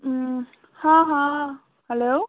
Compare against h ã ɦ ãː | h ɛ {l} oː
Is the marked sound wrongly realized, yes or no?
no